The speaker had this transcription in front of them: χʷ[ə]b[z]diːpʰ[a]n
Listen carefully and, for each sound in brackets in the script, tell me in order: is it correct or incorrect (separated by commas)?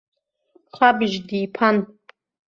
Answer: incorrect, incorrect, correct